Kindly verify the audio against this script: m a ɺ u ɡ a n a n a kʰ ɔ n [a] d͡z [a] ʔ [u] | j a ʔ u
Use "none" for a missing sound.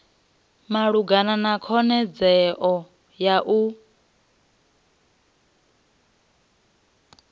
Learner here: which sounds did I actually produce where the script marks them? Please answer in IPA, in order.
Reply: ɛ, ɛ, ɔ

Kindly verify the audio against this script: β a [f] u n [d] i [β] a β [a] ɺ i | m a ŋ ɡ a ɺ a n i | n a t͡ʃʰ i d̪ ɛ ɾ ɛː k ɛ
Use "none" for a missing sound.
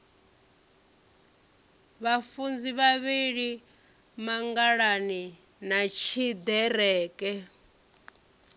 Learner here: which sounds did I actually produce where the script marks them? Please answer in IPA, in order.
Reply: f, d͡z, β, i

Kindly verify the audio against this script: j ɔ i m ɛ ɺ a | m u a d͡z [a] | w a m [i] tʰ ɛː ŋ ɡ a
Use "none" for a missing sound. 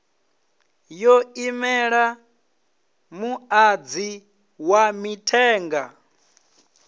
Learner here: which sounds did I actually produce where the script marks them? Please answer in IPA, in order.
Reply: i, i

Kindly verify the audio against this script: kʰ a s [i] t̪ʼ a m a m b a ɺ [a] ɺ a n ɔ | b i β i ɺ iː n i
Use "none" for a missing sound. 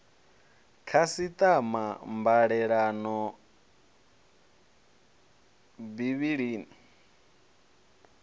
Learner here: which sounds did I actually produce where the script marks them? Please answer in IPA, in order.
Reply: i, ɛ

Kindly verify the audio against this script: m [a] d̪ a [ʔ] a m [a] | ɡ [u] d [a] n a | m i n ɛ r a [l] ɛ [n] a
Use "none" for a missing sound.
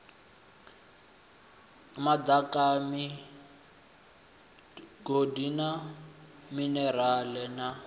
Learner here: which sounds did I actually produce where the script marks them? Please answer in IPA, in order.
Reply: a, k, i, o, i, l, n

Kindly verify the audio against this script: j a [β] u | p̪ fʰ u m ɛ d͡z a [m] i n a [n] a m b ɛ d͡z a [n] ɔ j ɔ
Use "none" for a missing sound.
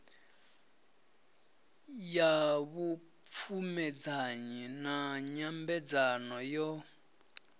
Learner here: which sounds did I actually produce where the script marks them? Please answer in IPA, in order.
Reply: β, ɲ, ɲ, n

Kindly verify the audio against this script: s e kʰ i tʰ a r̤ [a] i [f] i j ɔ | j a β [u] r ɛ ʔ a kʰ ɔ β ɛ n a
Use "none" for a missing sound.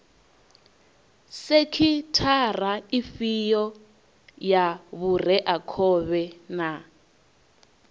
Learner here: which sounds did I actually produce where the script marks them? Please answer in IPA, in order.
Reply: a, f, u

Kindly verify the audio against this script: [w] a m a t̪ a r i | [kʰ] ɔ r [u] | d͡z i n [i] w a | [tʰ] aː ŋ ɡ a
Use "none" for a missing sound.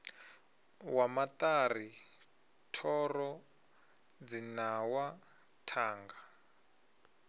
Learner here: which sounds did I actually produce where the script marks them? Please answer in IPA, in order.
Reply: w, tʰ, ɔ, a, tʰ

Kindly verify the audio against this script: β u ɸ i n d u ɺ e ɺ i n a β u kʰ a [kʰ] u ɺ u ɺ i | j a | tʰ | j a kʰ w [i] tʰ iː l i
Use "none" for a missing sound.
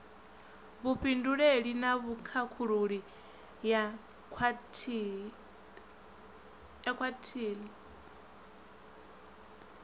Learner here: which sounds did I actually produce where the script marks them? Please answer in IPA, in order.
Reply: kʰ, a

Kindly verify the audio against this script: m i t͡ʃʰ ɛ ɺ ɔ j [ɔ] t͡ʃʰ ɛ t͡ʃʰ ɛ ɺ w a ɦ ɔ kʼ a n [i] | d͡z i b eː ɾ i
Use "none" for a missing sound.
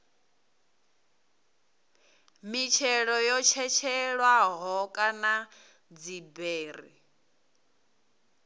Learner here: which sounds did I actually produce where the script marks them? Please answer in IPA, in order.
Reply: ɔ, a

